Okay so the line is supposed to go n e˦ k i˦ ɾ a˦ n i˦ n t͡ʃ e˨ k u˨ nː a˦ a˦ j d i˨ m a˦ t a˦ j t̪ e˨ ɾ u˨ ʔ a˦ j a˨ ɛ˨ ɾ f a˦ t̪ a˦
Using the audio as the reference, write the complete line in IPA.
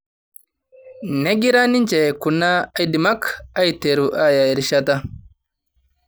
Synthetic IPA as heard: n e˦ ɡ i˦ ɾ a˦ n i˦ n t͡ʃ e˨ k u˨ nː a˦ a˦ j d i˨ m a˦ k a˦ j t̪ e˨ ɾ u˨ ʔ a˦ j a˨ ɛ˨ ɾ ʃ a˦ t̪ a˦